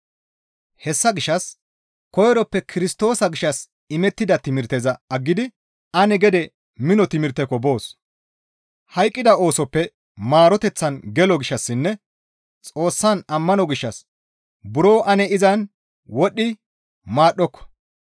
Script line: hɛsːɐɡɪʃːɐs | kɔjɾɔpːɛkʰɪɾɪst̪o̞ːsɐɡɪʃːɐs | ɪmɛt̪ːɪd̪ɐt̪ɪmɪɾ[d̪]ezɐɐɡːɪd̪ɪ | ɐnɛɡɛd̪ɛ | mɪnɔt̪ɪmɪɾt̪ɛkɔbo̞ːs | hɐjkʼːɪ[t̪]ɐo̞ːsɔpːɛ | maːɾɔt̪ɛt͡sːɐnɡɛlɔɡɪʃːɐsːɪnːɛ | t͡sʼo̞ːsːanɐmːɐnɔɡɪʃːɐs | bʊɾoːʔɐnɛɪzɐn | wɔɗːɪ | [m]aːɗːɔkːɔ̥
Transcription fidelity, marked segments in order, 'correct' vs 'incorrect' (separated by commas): incorrect, incorrect, correct